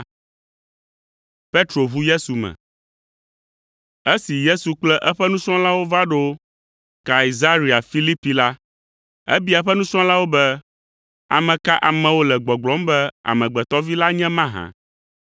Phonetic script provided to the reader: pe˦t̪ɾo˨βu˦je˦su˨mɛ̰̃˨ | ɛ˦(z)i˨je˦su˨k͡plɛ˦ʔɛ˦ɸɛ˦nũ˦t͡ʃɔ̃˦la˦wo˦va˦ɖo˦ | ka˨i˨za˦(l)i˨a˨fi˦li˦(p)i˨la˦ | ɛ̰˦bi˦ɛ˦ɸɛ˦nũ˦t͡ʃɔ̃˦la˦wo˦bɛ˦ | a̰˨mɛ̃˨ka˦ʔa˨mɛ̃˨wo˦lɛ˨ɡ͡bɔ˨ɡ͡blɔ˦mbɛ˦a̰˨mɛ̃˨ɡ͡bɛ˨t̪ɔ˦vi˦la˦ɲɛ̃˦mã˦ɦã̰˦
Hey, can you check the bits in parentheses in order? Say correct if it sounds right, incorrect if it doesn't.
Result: incorrect: s, incorrect: ɾ, correct

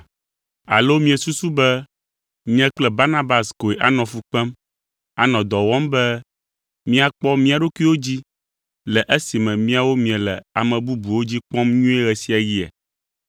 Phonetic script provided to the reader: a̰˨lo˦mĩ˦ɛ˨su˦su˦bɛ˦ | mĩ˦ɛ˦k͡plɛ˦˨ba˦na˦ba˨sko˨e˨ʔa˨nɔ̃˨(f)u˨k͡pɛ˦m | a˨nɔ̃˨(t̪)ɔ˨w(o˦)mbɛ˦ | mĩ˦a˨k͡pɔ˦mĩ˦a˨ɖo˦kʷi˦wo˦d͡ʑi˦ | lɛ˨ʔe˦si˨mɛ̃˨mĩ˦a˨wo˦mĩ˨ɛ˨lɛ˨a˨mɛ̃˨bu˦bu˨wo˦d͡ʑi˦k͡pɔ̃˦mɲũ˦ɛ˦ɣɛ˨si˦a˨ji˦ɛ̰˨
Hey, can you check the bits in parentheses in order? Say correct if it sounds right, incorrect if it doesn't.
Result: correct, incorrect: d̪, incorrect: ɔ˦

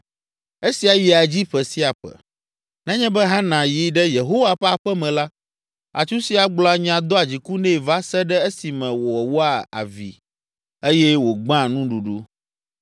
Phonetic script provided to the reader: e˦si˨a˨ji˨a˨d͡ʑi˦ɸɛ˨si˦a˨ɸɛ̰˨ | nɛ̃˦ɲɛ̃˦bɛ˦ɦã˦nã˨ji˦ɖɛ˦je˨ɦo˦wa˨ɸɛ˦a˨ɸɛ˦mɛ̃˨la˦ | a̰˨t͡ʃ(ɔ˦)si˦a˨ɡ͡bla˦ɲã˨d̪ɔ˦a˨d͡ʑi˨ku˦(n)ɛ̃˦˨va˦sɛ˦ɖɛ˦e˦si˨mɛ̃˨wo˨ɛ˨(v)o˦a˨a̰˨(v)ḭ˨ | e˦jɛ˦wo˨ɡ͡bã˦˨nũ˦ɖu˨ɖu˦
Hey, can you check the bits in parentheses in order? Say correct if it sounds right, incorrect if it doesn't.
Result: incorrect: u˦, correct, incorrect: w, correct

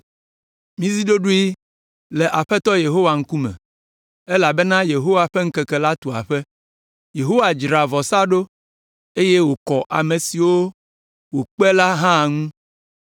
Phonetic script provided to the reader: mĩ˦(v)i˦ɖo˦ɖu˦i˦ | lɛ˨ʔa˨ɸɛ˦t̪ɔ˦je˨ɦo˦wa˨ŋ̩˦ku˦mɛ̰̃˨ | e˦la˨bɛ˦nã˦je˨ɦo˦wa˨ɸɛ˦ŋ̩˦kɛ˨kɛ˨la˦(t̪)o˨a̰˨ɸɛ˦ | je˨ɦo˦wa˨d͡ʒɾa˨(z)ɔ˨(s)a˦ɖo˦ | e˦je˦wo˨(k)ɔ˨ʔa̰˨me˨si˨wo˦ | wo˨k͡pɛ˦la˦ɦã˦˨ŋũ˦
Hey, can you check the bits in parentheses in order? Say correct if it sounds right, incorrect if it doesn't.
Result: incorrect: z, correct, incorrect: v, correct, correct

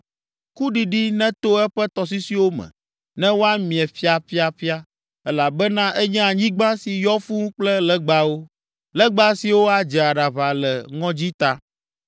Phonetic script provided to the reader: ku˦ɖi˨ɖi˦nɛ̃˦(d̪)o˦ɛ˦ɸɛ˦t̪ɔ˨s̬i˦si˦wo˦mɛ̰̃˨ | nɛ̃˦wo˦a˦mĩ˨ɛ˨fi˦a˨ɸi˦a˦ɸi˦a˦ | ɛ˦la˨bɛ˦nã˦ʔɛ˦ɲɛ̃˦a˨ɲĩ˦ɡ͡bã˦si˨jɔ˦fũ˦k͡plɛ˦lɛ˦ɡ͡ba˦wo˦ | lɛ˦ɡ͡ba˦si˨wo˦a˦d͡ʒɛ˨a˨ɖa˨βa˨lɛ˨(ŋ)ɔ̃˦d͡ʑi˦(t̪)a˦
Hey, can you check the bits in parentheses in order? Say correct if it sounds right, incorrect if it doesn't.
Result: incorrect: t̪, correct, correct

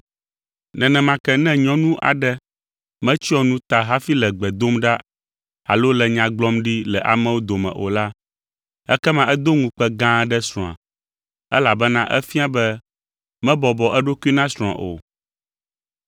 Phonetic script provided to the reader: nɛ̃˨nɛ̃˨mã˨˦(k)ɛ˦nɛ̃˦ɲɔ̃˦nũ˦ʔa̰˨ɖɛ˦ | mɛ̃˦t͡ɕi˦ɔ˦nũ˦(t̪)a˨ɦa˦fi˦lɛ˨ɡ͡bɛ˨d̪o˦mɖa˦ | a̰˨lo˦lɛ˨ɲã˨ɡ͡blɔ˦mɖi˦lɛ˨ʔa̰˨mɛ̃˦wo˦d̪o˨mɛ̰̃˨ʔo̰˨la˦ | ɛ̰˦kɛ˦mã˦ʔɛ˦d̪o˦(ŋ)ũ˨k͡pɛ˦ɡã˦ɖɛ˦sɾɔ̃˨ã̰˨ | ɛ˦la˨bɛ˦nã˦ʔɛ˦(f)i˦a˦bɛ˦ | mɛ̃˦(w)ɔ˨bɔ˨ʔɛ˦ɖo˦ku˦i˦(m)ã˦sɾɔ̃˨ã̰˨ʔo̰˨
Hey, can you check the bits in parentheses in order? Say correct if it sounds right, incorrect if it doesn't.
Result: correct, correct, correct, correct, incorrect: b, incorrect: n

